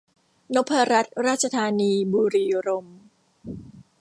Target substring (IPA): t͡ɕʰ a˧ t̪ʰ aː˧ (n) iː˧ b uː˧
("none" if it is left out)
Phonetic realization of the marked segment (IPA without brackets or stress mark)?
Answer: n